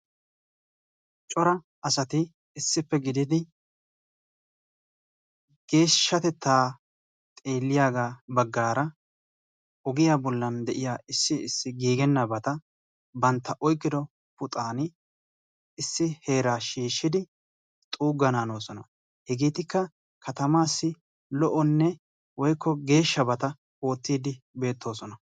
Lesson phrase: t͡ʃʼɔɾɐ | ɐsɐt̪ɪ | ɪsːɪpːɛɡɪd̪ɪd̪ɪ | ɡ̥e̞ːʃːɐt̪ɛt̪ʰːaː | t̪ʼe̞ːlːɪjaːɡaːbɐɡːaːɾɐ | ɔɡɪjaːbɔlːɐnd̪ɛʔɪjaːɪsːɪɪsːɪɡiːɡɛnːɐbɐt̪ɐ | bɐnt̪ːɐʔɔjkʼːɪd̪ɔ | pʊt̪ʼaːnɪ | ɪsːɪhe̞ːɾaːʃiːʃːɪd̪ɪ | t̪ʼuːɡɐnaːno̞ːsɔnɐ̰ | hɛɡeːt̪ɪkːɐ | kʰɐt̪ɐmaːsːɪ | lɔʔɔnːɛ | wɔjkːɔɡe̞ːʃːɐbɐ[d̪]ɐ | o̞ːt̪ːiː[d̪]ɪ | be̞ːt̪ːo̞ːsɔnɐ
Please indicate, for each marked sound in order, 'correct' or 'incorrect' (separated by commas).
incorrect, correct